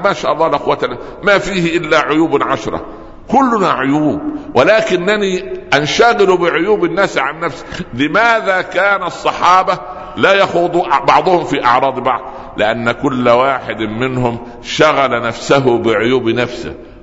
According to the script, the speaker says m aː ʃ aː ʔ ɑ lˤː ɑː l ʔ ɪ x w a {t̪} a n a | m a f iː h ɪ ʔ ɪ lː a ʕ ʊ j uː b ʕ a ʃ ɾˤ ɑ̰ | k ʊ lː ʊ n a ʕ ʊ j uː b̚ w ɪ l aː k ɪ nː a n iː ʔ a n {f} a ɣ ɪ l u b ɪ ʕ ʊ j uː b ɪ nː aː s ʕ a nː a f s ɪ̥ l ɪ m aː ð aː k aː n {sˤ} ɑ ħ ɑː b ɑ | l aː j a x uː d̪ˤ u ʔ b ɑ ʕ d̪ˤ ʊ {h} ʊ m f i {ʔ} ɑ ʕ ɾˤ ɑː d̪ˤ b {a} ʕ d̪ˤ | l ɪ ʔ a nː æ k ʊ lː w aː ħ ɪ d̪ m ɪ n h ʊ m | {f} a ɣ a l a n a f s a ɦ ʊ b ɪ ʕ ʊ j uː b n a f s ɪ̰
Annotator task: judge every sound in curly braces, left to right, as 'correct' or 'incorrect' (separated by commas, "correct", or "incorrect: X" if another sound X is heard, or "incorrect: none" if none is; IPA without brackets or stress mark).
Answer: correct, incorrect: ʃ, incorrect: sˤː, correct, correct, incorrect: ɑ, incorrect: ʃ